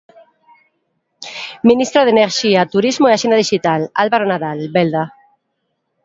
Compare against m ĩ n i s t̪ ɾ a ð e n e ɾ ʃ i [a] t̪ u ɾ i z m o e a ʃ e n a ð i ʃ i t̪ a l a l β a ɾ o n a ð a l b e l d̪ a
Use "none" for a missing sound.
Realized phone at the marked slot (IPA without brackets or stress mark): a